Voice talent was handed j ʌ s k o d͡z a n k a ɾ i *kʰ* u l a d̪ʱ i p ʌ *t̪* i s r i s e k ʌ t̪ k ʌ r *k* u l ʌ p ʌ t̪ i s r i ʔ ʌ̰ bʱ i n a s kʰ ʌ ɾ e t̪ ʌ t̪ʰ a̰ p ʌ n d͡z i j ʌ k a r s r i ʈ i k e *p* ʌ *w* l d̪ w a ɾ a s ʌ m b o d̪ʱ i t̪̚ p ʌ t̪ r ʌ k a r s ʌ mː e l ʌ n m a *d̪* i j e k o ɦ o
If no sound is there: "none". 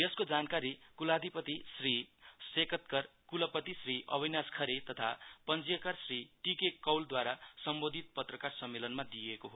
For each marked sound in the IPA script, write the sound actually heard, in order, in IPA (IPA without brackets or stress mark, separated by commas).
k, t̪, k, k, w, d̪